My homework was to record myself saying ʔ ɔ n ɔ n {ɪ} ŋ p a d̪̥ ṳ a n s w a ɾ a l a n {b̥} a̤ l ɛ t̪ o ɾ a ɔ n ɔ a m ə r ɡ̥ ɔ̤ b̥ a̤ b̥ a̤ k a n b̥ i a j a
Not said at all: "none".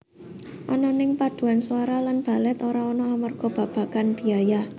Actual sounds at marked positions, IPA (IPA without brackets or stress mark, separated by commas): ɪ, b̥